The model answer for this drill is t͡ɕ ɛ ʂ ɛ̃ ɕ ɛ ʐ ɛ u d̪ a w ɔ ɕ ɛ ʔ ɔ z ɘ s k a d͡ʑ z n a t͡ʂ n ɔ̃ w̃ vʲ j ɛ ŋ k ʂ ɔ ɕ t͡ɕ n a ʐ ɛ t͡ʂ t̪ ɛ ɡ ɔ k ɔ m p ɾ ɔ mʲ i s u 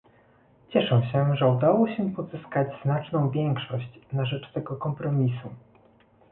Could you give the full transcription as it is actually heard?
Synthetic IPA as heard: t͡ɕ ɛ ʂ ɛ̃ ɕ ɛ ʐ ɛ u d̪ a w ɔ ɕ ɛ p ɔ z ɘ s k a d͡ʑ z n a t͡ʂ n ɔ̃ w̃ vʲ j ɛ ŋ k ʂ ɔ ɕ t͡ɕ n a ʐ ɛ t͡ʂ t̪ ɛ ɡ ɔ k ɔ m p ɾ ɔ mʲ i s u